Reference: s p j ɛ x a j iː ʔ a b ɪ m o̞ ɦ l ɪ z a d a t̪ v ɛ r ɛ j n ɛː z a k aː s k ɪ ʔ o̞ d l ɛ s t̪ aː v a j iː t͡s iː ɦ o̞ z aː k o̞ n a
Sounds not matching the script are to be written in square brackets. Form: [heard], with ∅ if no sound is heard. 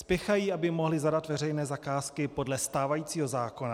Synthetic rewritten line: s p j ɛ x a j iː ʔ a b ɪ m o̞ ɦ l ɪ z a d a t̪ v ɛ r ɛ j n ɛː z a k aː s k ɪ [p] o̞ d l ɛ s t̪ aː v a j iː t͡s iː ɦ o̞ z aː k o̞ n a